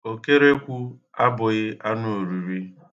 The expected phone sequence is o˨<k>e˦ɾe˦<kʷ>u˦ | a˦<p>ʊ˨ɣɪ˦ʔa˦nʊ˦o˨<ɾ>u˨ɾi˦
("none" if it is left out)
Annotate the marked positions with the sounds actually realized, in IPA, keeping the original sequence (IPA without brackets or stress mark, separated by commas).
k, kʷ, b, ɾ